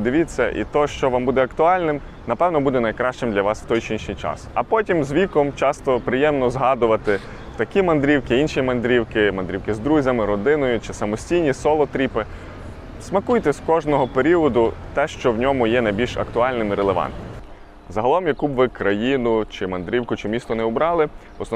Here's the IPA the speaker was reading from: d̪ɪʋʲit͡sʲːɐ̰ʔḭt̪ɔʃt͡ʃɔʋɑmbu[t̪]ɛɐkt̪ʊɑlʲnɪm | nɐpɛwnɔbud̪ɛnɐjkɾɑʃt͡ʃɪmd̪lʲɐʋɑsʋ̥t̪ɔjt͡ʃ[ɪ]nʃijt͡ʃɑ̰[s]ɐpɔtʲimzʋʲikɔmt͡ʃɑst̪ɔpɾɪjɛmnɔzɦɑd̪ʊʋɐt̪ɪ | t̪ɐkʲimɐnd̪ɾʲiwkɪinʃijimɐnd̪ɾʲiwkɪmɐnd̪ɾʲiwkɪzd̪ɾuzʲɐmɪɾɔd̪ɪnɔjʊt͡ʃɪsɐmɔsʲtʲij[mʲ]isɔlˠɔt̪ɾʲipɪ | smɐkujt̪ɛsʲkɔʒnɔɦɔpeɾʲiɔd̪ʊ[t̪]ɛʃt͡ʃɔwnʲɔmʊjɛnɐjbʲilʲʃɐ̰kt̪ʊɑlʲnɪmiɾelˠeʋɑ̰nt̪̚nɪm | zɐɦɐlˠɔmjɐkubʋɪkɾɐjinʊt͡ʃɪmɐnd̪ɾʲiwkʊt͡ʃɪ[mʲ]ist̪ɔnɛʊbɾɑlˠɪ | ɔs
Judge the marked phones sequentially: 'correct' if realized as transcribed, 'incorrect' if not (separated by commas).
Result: incorrect, incorrect, correct, incorrect, correct, correct